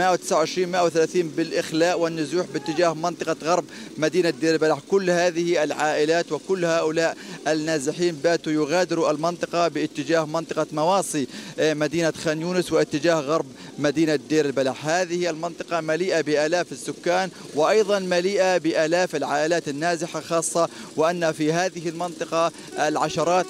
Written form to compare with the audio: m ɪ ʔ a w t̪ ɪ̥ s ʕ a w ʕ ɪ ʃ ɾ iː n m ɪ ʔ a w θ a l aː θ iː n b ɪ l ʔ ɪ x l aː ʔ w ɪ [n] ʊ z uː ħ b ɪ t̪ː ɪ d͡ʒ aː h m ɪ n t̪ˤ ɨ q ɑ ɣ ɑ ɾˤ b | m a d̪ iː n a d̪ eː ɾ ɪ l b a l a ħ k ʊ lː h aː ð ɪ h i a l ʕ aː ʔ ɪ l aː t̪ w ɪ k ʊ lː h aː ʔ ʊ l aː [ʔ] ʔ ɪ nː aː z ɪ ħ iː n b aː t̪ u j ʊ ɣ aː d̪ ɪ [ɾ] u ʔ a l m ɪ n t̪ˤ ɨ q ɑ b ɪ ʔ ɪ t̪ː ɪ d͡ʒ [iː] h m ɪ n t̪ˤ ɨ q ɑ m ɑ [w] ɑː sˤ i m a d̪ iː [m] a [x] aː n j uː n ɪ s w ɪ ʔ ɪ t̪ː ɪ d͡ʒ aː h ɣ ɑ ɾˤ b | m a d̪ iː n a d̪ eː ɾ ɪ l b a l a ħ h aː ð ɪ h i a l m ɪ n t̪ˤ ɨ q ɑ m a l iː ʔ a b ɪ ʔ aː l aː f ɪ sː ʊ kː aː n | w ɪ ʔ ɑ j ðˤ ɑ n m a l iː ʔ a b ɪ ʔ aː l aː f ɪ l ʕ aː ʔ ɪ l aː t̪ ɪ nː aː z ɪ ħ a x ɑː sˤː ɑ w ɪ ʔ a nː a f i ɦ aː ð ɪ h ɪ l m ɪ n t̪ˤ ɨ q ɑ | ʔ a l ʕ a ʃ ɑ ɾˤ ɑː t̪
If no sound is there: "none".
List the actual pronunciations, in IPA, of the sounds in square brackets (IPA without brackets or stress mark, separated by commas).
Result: nː, ʔ, ɾ, aː, w, n, x